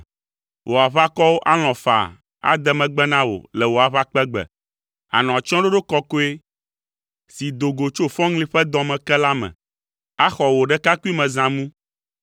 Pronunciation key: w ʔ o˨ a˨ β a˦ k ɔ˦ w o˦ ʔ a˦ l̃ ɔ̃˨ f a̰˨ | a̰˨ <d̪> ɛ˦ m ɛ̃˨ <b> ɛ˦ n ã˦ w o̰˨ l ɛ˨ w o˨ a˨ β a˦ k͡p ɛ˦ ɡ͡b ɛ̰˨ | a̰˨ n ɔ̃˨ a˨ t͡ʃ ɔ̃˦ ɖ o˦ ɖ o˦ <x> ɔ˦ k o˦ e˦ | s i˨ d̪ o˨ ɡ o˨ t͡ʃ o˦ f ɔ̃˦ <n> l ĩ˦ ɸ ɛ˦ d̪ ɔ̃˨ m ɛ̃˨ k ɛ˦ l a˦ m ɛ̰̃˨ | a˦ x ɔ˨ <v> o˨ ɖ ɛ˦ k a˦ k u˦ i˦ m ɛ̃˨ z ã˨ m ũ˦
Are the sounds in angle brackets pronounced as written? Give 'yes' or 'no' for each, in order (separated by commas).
yes, no, no, no, no